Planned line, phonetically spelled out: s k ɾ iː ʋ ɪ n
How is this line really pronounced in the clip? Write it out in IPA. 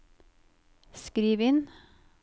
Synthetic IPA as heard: s k ɾ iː ʋ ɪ n